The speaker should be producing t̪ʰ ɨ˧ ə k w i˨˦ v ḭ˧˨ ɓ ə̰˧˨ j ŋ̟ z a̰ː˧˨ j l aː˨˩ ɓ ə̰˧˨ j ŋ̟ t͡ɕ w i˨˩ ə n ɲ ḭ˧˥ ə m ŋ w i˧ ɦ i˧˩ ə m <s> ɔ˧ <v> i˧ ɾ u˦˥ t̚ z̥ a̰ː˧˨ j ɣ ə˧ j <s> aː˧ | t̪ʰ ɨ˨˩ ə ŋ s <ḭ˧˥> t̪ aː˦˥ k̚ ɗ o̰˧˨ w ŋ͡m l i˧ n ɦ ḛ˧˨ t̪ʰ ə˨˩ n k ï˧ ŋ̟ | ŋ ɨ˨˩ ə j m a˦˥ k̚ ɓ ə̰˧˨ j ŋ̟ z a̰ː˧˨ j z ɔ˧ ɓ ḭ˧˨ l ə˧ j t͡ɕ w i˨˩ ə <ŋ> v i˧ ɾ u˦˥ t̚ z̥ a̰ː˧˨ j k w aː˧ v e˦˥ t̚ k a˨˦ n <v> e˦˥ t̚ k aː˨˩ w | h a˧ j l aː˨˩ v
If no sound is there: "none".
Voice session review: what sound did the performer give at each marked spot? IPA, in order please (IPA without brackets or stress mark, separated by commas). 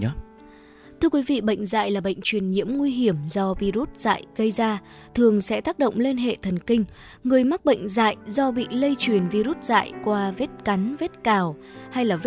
z, v, z, ɛ̰˧˥, n, v